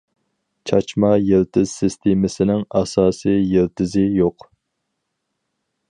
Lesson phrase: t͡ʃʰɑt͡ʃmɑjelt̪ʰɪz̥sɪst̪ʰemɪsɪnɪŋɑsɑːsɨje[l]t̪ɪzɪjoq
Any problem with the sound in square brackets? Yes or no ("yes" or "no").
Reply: no